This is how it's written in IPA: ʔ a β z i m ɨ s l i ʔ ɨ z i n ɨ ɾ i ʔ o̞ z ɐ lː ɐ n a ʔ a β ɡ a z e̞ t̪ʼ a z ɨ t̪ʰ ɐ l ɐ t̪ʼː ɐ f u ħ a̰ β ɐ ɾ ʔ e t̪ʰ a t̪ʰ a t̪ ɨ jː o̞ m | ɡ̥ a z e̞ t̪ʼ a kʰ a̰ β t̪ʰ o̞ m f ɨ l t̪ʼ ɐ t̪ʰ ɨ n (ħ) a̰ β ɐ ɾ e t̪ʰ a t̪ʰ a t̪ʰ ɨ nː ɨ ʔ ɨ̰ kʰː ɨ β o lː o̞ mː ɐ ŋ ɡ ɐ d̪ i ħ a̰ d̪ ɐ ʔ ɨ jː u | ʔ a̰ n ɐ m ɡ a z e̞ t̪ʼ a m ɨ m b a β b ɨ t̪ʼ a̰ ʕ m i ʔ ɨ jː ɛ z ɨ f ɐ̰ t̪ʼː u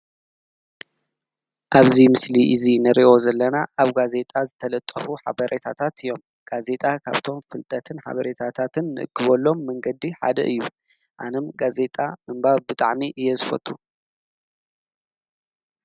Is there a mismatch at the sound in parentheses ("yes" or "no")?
no